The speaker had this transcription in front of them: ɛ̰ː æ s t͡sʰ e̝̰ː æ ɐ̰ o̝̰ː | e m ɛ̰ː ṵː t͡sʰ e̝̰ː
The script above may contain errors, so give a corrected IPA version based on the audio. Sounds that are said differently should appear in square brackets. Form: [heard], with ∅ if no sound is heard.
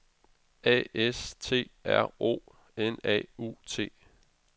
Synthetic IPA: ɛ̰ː [e] s t͡sʰ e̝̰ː æ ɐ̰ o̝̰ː | e [n] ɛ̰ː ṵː t͡sʰ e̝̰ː